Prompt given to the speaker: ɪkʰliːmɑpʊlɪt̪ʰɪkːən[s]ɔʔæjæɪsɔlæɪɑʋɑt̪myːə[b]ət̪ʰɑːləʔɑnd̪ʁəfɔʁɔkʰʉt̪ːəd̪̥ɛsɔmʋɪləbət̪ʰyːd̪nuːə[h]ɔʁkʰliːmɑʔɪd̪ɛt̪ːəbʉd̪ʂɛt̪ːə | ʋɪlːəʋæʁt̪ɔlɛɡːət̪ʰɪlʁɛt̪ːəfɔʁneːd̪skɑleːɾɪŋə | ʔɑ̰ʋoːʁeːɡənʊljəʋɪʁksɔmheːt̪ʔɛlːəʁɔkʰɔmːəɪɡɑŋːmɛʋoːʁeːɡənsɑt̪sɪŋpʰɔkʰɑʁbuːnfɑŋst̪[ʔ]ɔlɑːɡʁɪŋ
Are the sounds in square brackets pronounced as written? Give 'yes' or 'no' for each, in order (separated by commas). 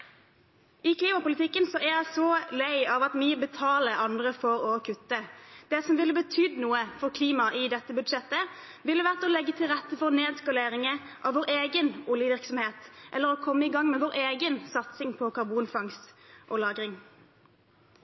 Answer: yes, yes, no, yes